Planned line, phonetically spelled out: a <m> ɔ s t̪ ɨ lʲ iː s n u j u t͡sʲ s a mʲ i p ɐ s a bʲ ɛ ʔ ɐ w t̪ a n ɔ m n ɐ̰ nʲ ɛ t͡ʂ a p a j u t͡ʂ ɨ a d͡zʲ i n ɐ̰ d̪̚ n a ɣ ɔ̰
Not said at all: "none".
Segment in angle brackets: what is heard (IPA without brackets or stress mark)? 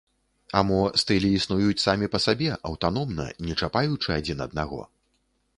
m